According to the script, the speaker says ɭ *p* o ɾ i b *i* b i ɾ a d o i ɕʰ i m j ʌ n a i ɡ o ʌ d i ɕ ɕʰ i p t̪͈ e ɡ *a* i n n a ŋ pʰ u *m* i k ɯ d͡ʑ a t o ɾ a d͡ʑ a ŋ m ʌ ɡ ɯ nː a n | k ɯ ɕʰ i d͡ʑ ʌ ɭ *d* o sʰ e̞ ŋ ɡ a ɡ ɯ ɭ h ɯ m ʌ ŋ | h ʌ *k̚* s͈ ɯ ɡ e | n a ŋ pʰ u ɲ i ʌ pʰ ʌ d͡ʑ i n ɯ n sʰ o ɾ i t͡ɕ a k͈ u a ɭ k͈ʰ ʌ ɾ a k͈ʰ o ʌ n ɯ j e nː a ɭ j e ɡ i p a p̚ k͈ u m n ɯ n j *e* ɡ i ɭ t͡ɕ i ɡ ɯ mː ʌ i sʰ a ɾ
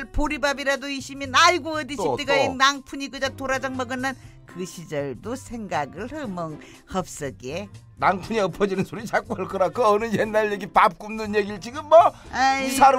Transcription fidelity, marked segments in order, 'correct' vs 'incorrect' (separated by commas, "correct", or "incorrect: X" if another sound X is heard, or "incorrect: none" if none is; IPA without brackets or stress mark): correct, incorrect: a, correct, incorrect: ɲ, correct, incorrect: p̚, correct